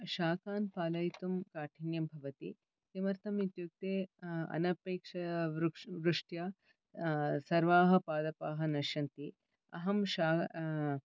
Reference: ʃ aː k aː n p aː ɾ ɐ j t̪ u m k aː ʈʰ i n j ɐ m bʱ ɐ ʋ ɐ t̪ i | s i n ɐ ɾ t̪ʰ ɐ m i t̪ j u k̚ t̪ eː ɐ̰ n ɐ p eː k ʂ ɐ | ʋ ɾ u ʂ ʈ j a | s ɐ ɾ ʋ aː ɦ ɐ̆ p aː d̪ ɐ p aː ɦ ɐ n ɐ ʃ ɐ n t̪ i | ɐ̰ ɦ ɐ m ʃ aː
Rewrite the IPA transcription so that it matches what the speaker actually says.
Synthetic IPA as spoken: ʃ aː k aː n p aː l ɐ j t̪ u m k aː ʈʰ i n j ɐ m bʱ ɐ ʋ ɐ t̪ i | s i m ɐ ɾ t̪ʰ ɐ m i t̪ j u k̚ t̪ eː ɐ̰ n ɐ p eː k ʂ ɐ | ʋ ɾ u ʂ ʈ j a | s ɐ ɾ ʋ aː ɦ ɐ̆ p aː d̪ ɐ p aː ɦ ɐ n ɐ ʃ ɐ n t̪ i | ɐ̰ ɦ ɐ m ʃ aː